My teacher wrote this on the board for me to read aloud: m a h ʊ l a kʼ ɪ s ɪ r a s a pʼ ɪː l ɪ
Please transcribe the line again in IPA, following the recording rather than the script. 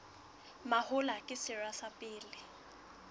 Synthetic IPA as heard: m a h ʊ l a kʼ ɪ s ɪ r a s a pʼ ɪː l ɪ